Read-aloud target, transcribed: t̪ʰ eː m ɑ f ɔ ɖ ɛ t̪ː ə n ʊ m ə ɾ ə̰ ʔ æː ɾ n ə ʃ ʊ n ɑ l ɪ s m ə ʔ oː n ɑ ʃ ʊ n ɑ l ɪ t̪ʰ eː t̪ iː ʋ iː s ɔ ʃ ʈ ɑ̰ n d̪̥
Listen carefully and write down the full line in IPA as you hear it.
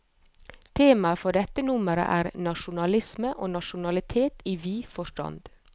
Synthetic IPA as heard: t̪ʰ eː m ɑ f ɔ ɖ ɛ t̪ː ə n ʊ m ə ɾ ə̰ ʔ æː ɾ n ɑ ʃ ʊ n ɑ l ɪ s m ə ʔ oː n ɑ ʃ ʊ n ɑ l ɪ t̪ʰ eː t̪ iː ʋ iː f ɔ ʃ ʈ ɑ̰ n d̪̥